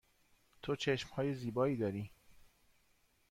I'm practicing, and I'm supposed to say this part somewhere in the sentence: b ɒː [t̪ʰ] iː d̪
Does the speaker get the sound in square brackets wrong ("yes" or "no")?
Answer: yes